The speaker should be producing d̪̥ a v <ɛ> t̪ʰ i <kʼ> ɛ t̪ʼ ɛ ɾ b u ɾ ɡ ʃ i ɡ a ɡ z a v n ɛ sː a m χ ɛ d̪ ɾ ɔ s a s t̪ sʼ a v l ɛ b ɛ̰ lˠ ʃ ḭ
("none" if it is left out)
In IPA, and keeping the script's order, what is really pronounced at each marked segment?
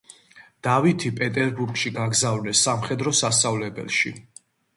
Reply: i, pʼ

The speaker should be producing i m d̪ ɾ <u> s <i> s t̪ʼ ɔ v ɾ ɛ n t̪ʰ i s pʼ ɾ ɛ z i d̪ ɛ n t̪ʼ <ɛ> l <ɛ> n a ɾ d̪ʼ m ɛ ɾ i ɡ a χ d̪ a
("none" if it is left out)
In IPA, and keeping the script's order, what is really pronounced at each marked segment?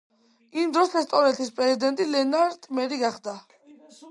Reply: ɔ, ɛ, i, ɛ

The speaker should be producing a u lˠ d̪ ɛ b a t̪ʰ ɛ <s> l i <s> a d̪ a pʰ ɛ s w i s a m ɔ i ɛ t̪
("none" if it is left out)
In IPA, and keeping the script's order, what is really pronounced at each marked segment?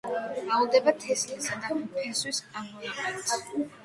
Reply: s, s

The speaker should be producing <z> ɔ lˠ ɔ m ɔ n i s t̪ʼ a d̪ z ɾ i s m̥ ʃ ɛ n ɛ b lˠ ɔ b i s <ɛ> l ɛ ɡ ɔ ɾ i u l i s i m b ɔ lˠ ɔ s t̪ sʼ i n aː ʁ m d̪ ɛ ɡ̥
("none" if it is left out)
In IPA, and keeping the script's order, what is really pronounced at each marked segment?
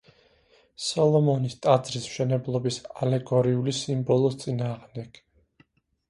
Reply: s, a

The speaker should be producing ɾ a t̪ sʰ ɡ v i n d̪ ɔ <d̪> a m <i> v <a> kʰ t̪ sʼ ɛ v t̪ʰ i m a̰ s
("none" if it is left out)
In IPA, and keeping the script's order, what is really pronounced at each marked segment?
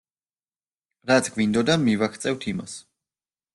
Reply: d̪, i, a

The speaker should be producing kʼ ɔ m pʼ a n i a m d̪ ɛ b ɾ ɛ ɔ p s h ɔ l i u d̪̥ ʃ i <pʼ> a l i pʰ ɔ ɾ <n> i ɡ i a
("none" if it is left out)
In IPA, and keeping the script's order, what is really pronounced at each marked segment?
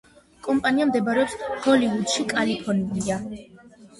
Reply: kʼ, n

